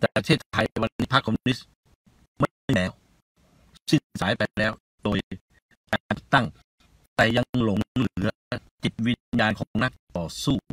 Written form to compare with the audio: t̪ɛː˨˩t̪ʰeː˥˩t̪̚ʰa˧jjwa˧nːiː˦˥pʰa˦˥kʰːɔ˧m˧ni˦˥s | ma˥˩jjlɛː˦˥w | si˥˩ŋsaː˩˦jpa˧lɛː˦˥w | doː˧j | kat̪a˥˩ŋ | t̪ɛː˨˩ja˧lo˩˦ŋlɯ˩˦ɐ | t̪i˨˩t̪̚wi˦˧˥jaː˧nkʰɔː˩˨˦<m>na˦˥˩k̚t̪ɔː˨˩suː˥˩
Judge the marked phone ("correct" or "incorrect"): incorrect